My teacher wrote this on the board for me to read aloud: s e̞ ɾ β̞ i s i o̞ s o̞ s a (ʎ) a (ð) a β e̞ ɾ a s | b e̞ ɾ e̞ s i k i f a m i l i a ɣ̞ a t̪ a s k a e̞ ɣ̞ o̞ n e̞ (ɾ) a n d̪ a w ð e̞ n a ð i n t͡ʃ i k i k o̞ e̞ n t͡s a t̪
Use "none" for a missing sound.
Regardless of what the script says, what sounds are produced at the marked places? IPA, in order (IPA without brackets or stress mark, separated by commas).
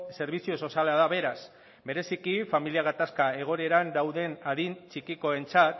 l, ð, ɾ